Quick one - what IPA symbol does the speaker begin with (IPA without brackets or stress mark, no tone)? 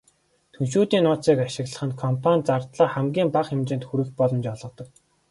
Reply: t̪ʰ